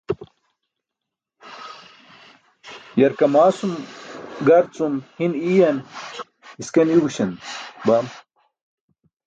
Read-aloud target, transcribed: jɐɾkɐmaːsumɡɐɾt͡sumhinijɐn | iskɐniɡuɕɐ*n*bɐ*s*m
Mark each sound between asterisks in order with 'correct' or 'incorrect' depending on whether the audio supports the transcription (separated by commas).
correct, incorrect